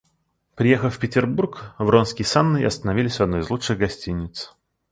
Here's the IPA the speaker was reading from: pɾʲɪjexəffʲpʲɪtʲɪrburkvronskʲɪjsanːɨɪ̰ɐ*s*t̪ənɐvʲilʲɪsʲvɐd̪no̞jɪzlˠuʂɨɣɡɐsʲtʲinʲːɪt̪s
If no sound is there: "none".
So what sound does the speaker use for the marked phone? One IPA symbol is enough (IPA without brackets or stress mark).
s